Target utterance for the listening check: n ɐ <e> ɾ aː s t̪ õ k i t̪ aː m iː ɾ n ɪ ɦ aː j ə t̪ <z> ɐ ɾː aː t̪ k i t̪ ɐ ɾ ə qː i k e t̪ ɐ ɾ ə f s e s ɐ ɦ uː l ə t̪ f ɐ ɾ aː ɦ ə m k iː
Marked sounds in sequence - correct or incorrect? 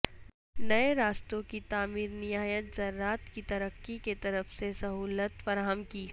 correct, correct

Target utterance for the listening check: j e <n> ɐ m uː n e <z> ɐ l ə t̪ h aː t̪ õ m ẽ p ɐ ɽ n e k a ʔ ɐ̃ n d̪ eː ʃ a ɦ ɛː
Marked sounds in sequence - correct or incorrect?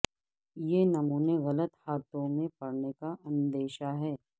correct, incorrect: ɣ

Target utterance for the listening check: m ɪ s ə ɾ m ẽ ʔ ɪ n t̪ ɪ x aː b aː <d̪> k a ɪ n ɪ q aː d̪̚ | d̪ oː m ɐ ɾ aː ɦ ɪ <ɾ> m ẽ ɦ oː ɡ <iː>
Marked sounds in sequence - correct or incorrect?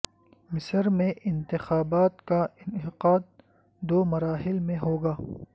incorrect: t̪, incorrect: l, incorrect: aː

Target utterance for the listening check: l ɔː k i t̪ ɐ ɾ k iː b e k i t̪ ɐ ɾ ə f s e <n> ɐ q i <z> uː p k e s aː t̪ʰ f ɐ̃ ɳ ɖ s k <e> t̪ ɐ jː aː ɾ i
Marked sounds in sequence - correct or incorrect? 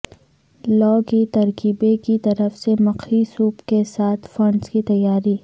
incorrect: m, incorrect: s, incorrect: i

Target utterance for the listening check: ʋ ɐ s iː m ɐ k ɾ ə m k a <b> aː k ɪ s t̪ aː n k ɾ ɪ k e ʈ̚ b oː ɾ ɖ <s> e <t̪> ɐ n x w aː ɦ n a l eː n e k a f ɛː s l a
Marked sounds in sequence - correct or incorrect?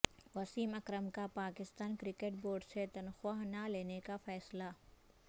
incorrect: p, correct, correct

